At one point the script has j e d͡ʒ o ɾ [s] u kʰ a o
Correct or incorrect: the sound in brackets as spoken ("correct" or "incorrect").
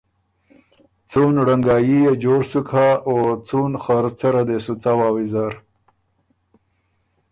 correct